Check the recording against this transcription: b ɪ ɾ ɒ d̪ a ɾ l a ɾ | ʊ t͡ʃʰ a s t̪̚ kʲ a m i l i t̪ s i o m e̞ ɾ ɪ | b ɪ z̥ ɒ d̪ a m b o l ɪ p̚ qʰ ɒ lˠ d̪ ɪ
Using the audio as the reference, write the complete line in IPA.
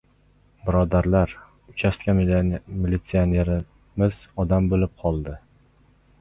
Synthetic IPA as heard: b ɪ ɾ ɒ d̪ a ɾ l a ɾ | ʊ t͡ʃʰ a s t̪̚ kʲ a m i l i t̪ s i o n e̞ ɾ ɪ | m ɪ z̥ ɒ d̪ a m b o l ɪ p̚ qʰ ɒ lˠ d̪ ɪ